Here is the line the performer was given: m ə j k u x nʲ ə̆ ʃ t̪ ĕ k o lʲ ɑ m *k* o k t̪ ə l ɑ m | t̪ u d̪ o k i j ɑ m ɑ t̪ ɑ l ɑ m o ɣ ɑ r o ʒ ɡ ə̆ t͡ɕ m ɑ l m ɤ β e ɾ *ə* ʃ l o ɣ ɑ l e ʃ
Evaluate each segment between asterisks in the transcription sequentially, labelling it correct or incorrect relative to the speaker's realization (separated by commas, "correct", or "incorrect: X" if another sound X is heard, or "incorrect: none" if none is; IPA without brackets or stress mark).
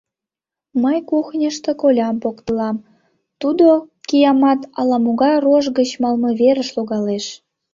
incorrect: p, correct